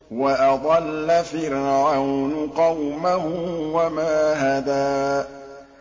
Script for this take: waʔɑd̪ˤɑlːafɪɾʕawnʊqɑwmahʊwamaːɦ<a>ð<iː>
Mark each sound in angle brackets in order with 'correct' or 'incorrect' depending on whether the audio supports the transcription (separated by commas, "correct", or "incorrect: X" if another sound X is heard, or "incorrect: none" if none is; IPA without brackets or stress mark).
correct, incorrect: aː